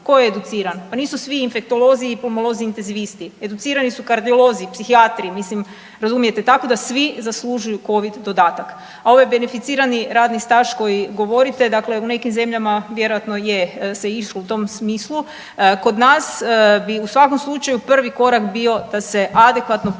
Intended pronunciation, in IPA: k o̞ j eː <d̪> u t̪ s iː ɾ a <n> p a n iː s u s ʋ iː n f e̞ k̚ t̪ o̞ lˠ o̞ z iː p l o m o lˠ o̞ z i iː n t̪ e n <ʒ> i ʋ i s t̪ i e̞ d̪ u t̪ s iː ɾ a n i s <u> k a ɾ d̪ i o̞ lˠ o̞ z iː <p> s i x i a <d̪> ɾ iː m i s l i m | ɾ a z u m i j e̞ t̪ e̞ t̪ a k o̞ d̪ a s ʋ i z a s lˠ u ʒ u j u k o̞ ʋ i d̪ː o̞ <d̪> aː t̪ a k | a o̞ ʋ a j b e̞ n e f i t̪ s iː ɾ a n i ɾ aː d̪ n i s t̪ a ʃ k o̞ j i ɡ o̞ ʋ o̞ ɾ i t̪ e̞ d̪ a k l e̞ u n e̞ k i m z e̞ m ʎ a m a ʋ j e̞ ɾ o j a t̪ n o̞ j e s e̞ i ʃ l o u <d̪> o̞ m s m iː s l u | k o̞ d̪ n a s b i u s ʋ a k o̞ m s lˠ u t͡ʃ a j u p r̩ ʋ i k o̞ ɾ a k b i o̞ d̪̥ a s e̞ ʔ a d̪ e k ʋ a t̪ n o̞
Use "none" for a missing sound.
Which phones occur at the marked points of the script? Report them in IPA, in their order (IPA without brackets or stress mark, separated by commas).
d̪, n, z, u, p, t̪, d̪, t̪